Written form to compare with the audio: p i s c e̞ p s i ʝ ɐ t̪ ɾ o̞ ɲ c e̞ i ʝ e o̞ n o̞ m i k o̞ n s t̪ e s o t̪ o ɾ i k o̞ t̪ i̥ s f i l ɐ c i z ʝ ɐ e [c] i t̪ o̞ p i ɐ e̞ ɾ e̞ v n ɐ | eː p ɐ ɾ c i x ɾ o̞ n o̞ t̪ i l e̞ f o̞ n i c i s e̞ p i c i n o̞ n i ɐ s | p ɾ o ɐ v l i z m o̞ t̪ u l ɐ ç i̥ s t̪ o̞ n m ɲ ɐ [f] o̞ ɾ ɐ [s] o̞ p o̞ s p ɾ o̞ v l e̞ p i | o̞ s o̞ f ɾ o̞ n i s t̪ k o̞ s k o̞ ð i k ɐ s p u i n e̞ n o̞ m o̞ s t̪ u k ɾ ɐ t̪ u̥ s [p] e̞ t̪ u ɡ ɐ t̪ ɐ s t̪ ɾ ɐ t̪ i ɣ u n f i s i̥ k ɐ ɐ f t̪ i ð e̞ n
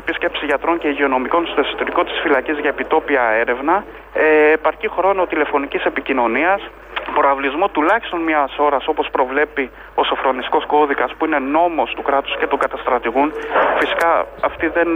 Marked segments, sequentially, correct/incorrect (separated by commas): incorrect, incorrect, correct, incorrect